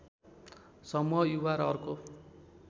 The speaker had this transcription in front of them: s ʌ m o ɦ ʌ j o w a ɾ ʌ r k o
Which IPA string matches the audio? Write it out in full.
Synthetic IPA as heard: s ʌ m u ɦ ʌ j u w a ɾ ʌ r k o